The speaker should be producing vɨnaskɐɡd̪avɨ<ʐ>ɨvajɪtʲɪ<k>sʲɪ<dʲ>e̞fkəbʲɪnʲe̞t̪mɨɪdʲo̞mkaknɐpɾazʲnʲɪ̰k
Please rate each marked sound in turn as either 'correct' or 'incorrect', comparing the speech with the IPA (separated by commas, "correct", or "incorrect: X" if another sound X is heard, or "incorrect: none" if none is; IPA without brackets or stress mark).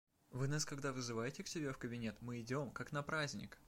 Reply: incorrect: z, correct, incorrect: bʲ